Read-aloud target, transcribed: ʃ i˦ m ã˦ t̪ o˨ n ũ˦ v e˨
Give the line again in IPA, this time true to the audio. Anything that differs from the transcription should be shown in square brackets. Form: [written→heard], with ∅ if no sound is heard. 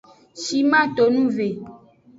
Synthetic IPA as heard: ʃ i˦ m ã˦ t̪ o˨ n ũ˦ v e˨